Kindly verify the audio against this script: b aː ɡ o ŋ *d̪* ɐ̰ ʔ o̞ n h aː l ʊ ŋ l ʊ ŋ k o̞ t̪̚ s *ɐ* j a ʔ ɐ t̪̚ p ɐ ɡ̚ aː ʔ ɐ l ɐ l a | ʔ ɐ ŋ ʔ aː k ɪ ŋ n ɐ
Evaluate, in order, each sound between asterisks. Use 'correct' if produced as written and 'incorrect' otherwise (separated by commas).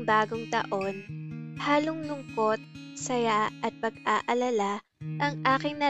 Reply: incorrect, correct